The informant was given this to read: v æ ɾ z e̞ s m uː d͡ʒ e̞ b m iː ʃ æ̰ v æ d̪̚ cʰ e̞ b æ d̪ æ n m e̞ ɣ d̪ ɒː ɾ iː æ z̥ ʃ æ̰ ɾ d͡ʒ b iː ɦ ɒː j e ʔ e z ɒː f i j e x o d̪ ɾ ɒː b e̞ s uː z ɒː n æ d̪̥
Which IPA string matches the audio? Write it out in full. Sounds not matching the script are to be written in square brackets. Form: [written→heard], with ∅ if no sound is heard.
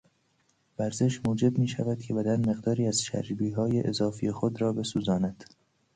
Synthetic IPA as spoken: v æ ɾ z e̞ [s→ʃ] m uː d͡ʒ e̞ b m iː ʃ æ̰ v æ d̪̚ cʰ e̞ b æ d̪ æ n m e̞ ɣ d̪ ɒː ɾ iː æ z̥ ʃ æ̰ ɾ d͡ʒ b iː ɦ ɒː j e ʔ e z ɒː f i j e x o d̪ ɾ ɒː b e̞ s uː z ɒː n æ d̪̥